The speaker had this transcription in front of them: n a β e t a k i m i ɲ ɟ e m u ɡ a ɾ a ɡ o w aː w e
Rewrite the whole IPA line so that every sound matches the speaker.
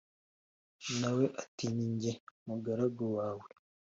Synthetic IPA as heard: n a w e ʔ a t i ɲ i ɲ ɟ e m u ɡ a ɾ a ɡ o w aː w e

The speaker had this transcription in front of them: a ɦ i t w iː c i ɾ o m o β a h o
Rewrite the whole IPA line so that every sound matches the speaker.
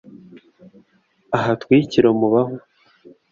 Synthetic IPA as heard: a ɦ a t w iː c i ɾ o m u β a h o

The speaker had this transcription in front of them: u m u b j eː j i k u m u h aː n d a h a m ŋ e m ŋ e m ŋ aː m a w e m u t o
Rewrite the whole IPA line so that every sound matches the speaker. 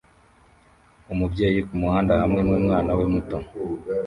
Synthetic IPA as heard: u m u b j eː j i k u m u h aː n d a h a m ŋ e m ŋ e m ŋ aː n a w e m u t o

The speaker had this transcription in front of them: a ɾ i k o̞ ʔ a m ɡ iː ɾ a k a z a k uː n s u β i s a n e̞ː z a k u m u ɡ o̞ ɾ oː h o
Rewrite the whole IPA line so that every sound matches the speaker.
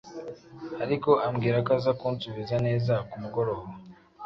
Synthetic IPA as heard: a ɾ i k o̞ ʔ a m ɡ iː ɾ a k a z a k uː n s u β i z a n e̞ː z a k u m u ɡ o̞ ɾ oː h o

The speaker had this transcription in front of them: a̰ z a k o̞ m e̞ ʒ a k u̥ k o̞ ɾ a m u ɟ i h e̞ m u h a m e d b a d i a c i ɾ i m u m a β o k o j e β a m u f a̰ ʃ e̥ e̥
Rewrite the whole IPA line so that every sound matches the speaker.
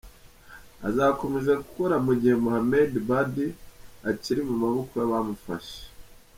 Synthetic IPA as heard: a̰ z a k o̞ m e̞ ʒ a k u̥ k o̞ ɾ a m u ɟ i h e̞ m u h a m e d b a d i a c i ɾ i m u m a β o k o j a β a m u f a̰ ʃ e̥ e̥

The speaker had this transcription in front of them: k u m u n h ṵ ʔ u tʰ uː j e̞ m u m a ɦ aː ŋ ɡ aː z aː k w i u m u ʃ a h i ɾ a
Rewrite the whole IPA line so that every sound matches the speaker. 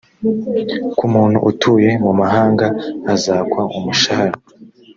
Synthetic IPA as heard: k u m uː n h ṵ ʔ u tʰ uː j e̞ m u m a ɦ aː ŋ ɡ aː z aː k w a u m u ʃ a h a ɾ a

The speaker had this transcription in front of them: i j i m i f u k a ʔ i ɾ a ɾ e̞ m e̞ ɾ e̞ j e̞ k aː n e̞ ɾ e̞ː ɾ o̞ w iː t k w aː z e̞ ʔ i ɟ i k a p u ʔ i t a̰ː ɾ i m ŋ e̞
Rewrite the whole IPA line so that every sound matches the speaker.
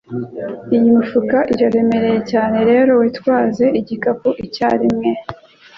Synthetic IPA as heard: i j i m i f u k a ʔ i ɾ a ɾ e̞ m e̞ ɾ e̞ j e̞ c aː n e̞ ɾ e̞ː ɾ o̞ w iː t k w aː z e̞ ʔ i ɟ i k a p u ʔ i c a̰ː ɾ i m ŋ e̞

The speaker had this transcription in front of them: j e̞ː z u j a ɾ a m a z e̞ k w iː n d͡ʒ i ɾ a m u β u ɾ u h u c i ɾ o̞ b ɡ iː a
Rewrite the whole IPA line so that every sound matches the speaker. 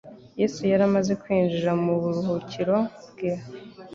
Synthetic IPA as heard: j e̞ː s u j a ɾ a m a z e̞ k w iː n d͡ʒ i ɾ a m u β u ɾ u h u c i ɾ o̞ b ɡ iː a

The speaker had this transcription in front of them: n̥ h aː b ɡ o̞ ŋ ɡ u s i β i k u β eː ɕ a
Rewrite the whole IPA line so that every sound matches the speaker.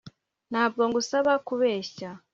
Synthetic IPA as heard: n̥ h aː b ɡ o̞ ŋ ɡ u s a β a k u β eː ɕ a

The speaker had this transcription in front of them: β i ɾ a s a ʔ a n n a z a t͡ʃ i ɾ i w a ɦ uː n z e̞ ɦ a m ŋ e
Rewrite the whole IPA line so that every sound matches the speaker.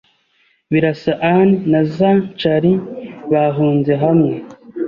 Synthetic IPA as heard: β i ɾ a s a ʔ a n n a z a t͡ʃ a ɾ i β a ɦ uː n z e̞ ɦ a m ŋ e

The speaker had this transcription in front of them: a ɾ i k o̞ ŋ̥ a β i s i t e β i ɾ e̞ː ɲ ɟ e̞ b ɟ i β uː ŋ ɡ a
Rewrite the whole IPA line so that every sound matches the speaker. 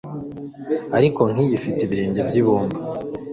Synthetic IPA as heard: a ɾ i k o̞ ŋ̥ i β i f i t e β i ɾ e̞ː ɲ ɟ e̞ b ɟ i β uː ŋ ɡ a

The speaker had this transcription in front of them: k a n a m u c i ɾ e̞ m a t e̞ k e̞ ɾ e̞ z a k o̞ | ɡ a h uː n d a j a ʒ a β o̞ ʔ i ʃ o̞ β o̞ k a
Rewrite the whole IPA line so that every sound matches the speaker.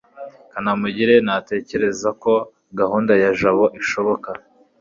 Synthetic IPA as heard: k a n a m u ɟ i ɾ e̞ n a t e̞ c e̞ ɾ e̞ z a k o̞ | ɡ a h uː n d a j a ʒ a β o̞ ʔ i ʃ o̞ β o̞ k a

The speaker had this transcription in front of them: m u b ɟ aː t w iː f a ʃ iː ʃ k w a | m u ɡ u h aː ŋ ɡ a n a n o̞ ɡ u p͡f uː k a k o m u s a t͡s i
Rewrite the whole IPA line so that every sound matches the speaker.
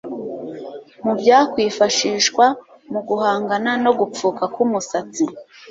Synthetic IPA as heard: m u b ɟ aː k w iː f a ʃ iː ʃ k w a | m u ɡ u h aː ŋ ɡ a n a n o̞ ɡ u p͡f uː k a k u m u s a t͡s i

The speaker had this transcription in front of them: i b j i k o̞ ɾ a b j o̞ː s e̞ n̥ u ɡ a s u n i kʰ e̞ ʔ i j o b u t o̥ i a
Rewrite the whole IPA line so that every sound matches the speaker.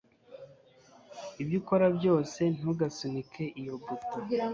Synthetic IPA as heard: i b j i k o̞ ɾ a b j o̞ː s e̞ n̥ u ɡ a s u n i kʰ e̞ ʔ i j o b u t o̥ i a

